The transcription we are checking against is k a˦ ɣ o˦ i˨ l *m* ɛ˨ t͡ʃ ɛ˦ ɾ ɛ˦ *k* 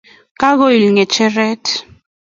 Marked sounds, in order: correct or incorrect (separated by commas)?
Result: incorrect, incorrect